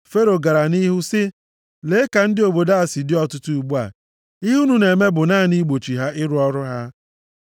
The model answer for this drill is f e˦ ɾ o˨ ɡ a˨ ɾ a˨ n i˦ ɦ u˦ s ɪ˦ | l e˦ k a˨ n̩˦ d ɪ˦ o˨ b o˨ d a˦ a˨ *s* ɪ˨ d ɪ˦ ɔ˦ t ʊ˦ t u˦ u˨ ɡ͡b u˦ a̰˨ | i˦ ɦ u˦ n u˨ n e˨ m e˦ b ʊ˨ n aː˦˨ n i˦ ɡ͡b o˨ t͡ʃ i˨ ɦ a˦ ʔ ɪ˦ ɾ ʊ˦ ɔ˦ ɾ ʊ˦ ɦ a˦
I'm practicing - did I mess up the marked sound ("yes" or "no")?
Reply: no